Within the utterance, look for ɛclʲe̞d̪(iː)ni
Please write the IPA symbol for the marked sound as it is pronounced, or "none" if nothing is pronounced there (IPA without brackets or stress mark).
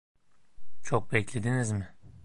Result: i